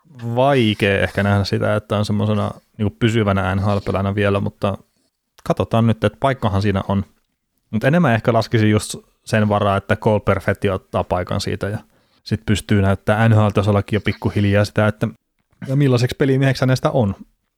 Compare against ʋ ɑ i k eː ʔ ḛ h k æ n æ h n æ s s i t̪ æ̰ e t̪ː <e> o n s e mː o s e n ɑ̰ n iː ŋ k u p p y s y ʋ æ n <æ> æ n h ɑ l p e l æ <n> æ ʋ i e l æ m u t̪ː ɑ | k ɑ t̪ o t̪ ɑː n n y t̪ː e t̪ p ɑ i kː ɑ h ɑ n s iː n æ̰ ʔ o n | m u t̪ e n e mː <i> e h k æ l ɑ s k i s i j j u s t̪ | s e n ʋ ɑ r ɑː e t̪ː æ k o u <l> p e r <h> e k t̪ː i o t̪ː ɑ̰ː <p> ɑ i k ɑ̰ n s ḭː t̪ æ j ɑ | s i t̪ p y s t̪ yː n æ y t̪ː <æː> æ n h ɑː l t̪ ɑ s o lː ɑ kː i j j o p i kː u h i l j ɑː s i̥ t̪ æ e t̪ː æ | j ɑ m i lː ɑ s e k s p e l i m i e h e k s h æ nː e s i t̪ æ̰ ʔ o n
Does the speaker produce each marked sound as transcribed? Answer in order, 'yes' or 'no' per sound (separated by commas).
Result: no, yes, yes, no, yes, no, yes, yes